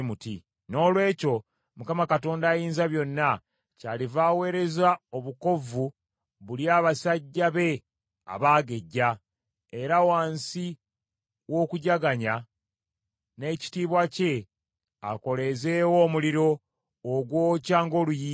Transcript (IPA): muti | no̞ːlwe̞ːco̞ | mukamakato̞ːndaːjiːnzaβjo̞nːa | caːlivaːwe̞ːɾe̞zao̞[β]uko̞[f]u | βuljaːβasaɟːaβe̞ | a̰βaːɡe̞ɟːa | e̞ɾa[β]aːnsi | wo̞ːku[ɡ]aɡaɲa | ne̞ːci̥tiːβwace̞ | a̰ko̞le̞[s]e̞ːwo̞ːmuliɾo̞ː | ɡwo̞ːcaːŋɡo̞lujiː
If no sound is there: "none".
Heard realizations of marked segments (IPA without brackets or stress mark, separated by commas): β, v, w, ɟ, z